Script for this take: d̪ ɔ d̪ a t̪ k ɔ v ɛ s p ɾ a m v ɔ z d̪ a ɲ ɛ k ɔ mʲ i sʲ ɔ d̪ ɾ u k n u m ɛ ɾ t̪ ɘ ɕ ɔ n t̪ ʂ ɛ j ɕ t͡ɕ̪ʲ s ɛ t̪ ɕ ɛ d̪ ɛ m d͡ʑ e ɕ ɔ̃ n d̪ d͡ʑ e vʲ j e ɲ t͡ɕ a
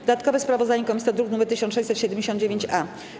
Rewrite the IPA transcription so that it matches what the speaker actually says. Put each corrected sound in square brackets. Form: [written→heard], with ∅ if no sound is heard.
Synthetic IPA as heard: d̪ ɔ d̪ a t̪ k ɔ v ɛ s p ɾ a [m→∅] v ɔ z d̪ a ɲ ɛ k ɔ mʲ i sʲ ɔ d̪ ɾ u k n u m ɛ ɾ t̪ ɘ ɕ ɔ n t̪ ʂ ɛ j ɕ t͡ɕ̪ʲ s ɛ t̪ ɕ ɛ d̪ ɛ m d͡ʑ e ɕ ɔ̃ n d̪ d͡ʑ e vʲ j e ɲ t͡ɕ a